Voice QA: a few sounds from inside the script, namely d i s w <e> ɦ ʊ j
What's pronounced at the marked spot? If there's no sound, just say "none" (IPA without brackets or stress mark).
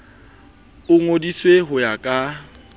e